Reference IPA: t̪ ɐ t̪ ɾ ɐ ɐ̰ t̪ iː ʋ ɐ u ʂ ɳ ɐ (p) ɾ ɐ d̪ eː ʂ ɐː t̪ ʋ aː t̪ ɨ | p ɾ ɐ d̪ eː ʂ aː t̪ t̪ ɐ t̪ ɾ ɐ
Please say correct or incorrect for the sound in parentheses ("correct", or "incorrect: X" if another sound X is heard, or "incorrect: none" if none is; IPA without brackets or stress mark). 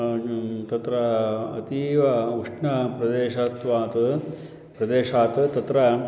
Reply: correct